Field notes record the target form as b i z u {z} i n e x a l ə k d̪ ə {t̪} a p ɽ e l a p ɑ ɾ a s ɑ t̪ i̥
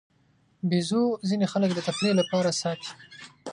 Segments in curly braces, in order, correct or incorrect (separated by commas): correct, correct